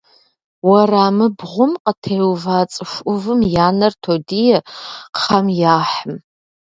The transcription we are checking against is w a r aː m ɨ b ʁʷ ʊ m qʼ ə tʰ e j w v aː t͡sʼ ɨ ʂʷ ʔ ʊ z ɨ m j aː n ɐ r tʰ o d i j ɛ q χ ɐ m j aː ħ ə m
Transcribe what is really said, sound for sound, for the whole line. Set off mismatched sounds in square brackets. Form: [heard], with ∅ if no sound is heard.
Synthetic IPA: w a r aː m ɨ b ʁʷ ʊ m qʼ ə tʰ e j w v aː t͡sʼ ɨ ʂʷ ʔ ʊ [v] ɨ m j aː n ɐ r tʰ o d i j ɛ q χ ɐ m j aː ħ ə m